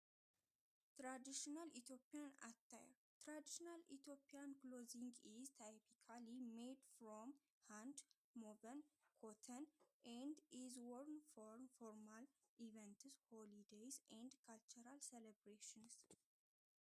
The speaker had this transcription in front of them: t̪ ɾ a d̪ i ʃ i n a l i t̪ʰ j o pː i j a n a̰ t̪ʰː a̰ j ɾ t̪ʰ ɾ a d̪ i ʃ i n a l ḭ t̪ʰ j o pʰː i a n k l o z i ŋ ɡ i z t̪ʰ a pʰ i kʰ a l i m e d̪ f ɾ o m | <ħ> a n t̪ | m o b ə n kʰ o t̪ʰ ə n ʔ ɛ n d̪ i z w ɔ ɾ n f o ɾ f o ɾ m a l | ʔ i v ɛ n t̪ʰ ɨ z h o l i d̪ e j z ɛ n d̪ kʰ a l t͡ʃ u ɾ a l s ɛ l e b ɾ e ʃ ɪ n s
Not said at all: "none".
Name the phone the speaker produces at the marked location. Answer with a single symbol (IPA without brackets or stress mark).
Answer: h